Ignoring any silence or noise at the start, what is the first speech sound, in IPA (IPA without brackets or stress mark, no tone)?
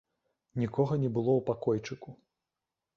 nʲ